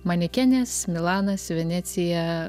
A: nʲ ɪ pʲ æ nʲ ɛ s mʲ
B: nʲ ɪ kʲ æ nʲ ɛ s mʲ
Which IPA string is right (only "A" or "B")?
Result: B